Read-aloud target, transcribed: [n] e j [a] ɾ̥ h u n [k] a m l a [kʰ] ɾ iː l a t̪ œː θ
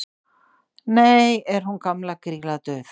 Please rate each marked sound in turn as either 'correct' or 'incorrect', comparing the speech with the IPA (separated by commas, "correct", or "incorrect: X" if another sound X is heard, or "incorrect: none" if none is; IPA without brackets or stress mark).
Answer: correct, incorrect: ɛ, correct, incorrect: k